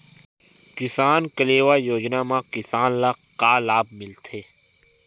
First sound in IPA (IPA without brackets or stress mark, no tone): k